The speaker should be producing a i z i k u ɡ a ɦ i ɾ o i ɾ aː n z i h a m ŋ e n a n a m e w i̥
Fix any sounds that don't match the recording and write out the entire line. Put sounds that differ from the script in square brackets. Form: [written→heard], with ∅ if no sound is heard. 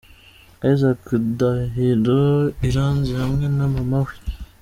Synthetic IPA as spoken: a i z [i→a] k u [ɡ→d] a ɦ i ɾ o i ɾ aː n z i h a m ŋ e n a [n→m] a m [e→a] w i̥